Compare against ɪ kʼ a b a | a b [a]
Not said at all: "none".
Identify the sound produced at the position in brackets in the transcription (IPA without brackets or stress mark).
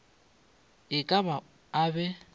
ɛ